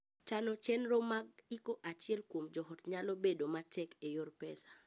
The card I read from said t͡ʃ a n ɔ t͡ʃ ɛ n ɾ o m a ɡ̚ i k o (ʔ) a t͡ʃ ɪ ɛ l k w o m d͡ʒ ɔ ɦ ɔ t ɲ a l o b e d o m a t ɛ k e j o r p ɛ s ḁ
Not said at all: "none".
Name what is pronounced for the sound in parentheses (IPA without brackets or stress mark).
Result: ʔ